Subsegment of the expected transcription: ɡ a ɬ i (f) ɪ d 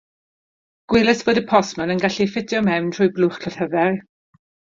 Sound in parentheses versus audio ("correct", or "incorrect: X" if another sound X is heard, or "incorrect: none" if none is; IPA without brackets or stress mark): correct